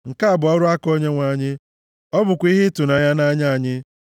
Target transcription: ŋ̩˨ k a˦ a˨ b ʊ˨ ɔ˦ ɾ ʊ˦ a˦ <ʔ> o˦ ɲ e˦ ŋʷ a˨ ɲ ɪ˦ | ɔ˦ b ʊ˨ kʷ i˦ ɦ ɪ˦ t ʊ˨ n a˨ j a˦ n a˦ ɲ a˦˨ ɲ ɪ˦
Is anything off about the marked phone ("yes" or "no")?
yes